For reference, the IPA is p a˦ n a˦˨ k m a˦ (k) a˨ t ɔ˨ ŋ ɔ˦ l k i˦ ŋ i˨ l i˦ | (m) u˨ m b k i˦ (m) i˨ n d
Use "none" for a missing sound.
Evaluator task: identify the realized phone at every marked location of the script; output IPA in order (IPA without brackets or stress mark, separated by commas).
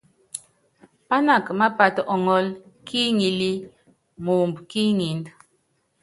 p, m, ŋ